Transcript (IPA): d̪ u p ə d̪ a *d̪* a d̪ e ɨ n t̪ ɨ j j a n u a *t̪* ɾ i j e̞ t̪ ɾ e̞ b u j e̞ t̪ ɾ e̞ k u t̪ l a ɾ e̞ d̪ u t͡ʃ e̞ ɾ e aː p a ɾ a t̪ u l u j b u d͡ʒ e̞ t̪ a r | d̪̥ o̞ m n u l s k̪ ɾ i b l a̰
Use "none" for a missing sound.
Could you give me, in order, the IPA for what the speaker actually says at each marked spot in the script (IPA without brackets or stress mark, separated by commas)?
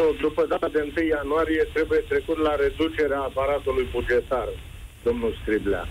t̪, none